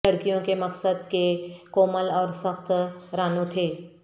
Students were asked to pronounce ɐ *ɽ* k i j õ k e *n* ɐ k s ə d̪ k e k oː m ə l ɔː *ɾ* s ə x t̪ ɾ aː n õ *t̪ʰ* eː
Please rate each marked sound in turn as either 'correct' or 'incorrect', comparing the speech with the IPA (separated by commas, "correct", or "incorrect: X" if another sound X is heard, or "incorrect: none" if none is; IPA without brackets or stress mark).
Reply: correct, incorrect: m, correct, correct